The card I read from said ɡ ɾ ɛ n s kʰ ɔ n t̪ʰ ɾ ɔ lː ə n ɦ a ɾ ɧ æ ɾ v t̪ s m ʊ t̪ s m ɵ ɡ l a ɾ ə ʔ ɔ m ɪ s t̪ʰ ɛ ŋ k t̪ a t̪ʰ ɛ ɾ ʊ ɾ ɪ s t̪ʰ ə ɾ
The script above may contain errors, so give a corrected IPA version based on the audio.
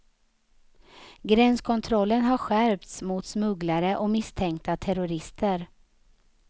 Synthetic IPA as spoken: ɡ ɾ ɛ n s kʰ ɔ n t̪ʰ ɾ ɔ lː ə n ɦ a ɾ ɧ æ ɾ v t̪ s m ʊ t̪ s m ɵ ɡ l a ɾ ə ʔ ɔ m ɪ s t̪ʰ ɛ ŋ k t̪ a t̪ʰ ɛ ɾ ʊ ɾ ɪ s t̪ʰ ə ɾ